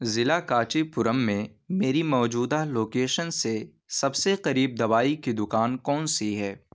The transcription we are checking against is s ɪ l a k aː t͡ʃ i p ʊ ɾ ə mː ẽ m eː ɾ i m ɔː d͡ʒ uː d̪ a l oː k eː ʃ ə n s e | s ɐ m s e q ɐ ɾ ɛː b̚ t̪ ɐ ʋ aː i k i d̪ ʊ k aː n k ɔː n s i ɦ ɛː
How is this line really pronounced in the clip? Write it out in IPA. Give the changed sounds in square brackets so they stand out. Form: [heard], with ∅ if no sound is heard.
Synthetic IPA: [z] ɪ l a k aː t͡ʃ i p ʊ ɾ ə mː ẽ m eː ɾ i m ɔː d͡ʒ uː d̪ a l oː k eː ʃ ə n s e | s ɐ [b] s e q ɐ ɾ [iː] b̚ [d̪] ɐ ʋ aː i k i d̪ ʊ k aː n k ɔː n s i ɦ ɛː